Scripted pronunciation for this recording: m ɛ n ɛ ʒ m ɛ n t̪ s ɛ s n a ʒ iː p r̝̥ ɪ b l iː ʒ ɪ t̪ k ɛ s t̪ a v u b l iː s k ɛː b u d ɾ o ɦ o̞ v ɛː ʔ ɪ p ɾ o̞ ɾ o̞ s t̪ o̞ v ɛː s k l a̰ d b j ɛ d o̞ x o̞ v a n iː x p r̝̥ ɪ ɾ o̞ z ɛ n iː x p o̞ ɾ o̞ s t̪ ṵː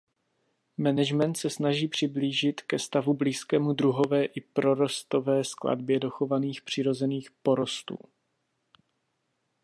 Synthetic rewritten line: m ɛ n ɛ ʒ m ɛ n t̪ s ɛ s n a ʒ iː p r̝̥ ɪ b l iː ʒ ɪ t̪ k ɛ s t̪ a v u b l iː s k ɛː m u d ɾ u ɦ o̞ v ɛː ʔ ɪ p ɾ o̞ ɾ o̞ s t̪ o̞ v ɛː s k l a̰ d b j ɛ d o̞ x o̞ v a n iː x p r̝̥ ɪ ɾ o̞ z ɛ n iː x p o̞ ɾ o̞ s t̪ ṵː

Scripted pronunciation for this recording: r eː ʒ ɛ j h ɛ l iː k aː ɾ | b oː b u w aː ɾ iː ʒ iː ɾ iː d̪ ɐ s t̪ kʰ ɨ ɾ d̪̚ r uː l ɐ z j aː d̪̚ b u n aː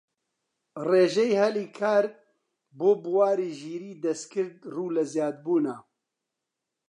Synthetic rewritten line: r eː ʒ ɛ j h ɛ l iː kʰ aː ɾ | b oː b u w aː ɾ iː ʒ iː ɾ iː d̪ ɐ s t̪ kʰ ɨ ɾ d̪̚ r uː l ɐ z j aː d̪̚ b uː n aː

